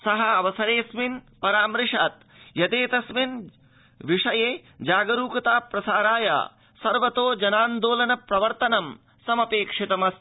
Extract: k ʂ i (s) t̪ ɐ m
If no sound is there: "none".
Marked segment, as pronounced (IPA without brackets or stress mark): none